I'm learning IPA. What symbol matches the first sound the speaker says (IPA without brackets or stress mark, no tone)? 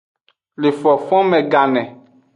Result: l